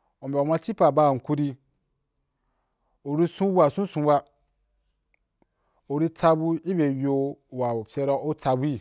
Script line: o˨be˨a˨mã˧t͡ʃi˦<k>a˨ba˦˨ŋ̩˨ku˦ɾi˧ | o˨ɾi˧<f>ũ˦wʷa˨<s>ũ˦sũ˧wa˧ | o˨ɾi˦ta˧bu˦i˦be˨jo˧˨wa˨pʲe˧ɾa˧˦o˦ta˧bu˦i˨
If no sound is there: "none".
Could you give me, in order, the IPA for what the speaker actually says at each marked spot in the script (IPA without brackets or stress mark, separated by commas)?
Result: p, s, s